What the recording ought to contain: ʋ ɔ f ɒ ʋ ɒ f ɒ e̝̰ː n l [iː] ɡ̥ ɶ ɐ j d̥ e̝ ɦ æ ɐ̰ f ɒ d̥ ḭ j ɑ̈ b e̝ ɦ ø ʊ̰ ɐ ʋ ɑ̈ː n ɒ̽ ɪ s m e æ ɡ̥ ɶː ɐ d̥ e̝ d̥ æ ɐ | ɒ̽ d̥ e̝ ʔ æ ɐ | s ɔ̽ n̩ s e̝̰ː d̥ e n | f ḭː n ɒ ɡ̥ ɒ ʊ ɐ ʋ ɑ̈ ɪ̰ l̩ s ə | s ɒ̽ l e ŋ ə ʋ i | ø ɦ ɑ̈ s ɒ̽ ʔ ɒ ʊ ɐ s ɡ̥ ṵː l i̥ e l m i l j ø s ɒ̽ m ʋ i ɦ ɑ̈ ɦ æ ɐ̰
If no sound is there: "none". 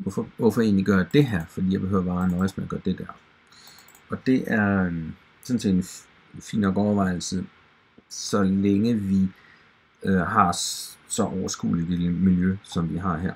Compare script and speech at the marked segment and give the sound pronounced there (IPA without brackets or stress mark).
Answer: i